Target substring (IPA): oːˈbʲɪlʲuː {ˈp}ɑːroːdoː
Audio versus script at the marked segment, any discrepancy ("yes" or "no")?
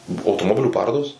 no